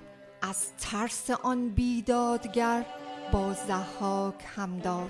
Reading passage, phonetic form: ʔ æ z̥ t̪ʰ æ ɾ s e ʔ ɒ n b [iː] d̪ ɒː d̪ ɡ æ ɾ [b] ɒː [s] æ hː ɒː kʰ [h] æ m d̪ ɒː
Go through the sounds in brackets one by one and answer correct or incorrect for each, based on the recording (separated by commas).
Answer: correct, correct, incorrect, correct